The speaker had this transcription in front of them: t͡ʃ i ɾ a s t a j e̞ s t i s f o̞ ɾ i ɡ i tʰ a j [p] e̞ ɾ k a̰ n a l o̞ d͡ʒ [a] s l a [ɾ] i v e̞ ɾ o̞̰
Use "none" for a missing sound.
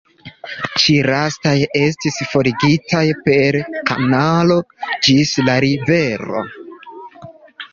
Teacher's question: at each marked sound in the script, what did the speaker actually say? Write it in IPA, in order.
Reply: p, i, ɾ

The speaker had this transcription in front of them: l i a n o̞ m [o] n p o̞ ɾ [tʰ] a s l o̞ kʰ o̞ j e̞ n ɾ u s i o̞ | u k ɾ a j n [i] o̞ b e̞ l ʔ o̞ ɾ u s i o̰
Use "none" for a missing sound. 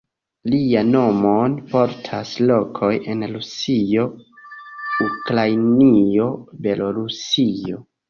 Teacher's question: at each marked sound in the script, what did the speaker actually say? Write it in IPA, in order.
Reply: o, tʰ, i

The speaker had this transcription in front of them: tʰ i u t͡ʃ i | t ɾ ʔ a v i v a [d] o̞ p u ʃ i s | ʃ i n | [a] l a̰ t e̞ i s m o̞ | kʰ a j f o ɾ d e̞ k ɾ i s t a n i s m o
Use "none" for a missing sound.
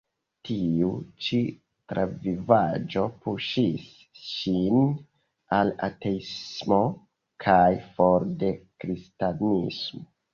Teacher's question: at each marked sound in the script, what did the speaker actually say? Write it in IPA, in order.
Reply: d͡ʒ, a

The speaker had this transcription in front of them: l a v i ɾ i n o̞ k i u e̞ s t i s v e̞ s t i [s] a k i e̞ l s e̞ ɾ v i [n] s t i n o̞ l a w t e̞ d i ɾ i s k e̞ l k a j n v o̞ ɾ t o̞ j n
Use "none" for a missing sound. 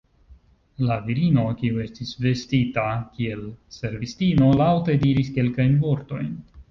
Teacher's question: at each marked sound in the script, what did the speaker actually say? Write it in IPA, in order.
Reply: t, none

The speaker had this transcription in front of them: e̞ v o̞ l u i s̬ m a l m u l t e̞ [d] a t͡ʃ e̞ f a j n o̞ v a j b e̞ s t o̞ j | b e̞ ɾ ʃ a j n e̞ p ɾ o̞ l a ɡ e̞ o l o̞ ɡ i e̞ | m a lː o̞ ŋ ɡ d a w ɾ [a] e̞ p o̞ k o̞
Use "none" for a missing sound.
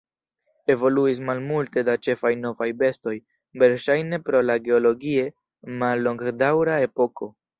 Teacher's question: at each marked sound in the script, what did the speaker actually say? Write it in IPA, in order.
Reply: d, a

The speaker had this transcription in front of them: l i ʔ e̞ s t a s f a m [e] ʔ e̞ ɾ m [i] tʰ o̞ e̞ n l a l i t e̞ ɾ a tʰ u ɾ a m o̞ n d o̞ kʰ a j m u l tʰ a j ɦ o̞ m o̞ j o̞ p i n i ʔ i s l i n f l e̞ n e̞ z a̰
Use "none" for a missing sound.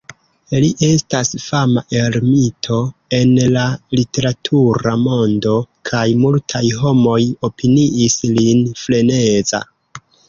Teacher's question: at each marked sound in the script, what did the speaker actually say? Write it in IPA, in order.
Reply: a, i

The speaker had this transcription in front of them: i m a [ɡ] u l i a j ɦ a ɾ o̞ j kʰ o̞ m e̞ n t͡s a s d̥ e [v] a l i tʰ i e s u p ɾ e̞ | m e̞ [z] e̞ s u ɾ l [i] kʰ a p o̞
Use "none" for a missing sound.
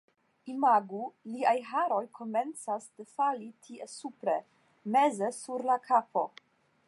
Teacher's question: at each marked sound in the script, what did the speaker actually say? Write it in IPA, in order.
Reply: ɡ, f, z, a

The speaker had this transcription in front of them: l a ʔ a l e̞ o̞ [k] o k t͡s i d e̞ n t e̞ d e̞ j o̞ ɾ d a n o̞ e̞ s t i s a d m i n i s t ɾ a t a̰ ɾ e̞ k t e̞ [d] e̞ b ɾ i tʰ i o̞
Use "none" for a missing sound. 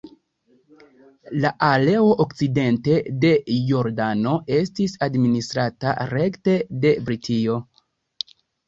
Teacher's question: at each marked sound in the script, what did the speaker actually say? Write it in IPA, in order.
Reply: ʔ, d

